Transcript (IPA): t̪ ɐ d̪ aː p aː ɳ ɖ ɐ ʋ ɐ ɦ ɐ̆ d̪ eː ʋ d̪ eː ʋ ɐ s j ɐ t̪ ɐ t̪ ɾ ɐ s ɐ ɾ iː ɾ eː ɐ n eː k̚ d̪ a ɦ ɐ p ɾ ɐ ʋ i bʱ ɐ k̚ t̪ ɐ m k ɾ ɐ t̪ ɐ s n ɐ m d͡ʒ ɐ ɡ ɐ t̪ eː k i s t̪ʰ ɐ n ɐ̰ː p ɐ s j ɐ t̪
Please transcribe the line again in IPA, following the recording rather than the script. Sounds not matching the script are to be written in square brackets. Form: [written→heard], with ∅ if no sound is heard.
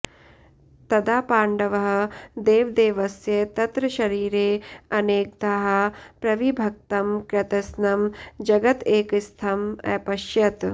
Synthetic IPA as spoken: t̪ ɐ d̪ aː p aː ɳ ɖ ɐ ʋ ɐ ɦ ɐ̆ d̪ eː ʋ d̪ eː ʋ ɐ s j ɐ t̪ ɐ t̪ ɾ ɐ [s→ʃ] ɐ ɾ iː ɾ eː ɐ n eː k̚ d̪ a ɦ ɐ p ɾ ɐ ʋ i bʱ ɐ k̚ t̪ ɐ m k ɾ ɐ t̪ ɐ s n ɐ m d͡ʒ ɐ ɡ ɐ t̪ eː k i s t̪ʰ ɐ [n→m] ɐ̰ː p ɐ [s→ʃ] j ɐ t̪